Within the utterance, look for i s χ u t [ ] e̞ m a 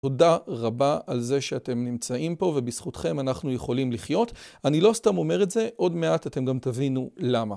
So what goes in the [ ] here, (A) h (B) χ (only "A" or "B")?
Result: B